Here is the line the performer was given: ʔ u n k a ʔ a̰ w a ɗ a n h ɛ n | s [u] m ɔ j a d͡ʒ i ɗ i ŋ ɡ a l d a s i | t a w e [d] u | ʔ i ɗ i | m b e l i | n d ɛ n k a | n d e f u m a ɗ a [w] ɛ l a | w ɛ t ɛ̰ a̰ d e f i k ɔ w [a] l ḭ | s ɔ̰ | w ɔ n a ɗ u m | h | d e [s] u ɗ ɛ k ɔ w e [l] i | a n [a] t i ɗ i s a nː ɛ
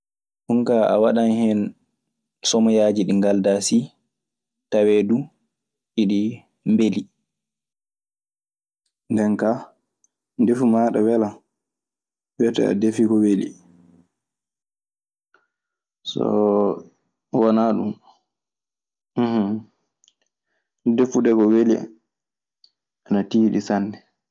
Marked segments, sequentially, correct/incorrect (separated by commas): incorrect, correct, correct, incorrect, incorrect, correct, correct